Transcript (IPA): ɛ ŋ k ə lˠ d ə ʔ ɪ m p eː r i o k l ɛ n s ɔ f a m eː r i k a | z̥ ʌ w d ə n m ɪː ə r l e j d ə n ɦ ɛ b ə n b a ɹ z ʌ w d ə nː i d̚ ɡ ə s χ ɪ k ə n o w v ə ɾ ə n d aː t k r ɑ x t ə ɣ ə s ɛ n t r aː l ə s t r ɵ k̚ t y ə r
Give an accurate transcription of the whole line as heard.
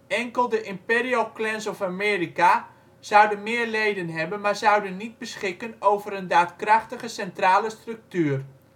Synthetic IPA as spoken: ɛ ŋ k ə lˠ d ə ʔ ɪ m p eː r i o k l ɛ n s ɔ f a m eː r i k a | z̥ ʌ w d ə n m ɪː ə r l e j d ə n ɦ ɛ b ə n m a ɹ z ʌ w d ə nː i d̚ b ə s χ ɪ k ə n o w v ə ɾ ə n d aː t k r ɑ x t ə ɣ ə s ɛ n t r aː l ə s t r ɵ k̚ t y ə r